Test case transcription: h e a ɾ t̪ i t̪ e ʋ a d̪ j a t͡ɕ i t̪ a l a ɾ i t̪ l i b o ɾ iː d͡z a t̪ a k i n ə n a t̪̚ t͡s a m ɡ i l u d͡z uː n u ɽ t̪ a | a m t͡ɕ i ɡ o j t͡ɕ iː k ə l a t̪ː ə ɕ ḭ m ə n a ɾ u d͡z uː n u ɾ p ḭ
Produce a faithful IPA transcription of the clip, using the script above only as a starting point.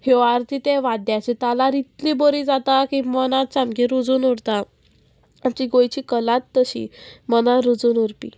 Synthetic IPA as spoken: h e a ɾ t̪ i t̪ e ʋ a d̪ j a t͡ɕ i t̪ a l a ɾ i t̪ l i b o ɾ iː d͡z a t̪ a k i m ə n a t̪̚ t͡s a m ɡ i ɾ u d͡z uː n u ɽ t̪ a | a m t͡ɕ i ɡ o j t͡ɕ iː k ə l a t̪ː ə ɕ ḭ m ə n a ɾ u d͡z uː n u ɾ p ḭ